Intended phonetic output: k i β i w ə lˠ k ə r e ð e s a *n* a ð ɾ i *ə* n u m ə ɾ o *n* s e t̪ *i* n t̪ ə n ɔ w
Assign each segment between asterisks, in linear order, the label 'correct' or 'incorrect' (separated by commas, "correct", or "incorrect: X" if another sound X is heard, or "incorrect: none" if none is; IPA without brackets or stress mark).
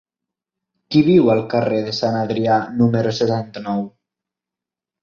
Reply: correct, incorrect: a, incorrect: none, incorrect: a